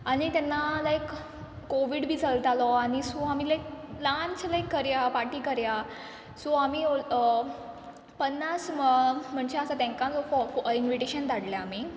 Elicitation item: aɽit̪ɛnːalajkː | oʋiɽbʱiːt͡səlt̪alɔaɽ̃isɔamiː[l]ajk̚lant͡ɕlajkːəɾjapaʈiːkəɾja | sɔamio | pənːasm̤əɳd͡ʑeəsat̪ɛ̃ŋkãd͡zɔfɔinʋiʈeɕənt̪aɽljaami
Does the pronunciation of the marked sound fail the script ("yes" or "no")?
no